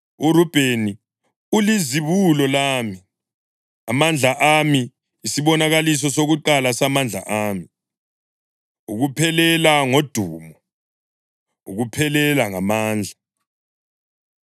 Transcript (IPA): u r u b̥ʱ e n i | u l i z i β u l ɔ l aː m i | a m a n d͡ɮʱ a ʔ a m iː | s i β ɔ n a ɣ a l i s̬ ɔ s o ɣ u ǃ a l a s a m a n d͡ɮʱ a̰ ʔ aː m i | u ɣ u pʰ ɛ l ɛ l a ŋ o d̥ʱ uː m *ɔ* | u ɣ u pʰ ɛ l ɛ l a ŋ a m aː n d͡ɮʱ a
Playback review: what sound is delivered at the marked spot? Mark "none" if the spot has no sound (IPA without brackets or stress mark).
ɔ